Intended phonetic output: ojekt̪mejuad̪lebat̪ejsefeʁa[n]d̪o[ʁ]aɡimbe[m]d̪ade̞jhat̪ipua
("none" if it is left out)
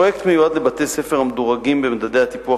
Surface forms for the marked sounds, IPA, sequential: m, ʁ, m

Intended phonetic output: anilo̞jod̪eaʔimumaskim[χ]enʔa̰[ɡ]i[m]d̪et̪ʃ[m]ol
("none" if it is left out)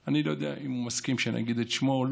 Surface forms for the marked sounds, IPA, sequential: ʃ, ɡ, none, m

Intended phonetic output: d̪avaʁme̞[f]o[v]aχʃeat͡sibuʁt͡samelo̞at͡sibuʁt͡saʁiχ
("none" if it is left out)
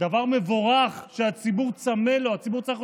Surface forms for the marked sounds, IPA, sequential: v, ʁ

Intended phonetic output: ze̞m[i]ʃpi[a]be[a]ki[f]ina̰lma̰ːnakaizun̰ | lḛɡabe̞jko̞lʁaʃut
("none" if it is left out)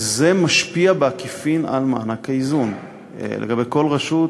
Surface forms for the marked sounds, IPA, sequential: a, a, a, f

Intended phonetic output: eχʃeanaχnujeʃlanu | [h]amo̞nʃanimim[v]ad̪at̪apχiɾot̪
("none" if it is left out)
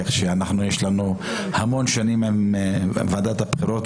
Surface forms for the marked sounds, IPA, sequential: h, v

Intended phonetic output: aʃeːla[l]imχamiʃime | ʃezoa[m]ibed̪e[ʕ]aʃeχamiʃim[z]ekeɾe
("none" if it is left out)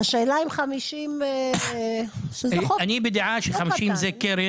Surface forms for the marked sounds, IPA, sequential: none, n, ʕ, z

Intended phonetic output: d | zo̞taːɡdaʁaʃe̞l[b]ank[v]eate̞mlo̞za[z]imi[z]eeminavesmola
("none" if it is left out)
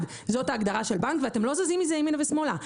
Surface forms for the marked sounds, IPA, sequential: b, v, z, z

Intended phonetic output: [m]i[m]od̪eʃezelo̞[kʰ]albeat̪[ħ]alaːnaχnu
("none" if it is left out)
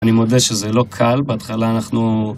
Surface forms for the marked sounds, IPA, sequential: n, m, kʰ, χ

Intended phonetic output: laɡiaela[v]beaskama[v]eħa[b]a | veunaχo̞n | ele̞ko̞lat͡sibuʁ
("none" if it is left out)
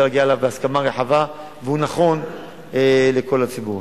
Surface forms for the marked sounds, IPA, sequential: v, ʁ, v

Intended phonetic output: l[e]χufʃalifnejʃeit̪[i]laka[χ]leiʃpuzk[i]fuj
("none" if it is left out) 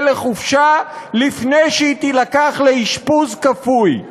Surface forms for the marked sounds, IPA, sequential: e, i, χ, a

